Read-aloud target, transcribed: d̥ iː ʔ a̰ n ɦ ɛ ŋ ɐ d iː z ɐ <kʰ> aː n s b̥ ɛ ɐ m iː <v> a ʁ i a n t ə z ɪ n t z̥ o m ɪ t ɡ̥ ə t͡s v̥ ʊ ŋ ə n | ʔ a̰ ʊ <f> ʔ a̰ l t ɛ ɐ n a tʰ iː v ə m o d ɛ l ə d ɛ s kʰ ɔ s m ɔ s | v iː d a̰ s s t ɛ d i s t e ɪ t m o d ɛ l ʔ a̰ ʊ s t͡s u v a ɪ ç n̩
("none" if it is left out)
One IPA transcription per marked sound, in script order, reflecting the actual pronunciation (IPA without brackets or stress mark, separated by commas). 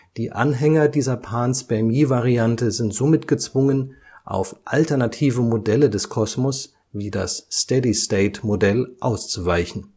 pʰ, v, f